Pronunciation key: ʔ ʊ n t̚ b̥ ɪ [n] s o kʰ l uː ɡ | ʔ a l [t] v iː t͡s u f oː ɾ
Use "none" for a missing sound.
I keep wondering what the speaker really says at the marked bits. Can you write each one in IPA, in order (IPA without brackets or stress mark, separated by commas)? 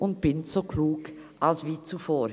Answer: n, s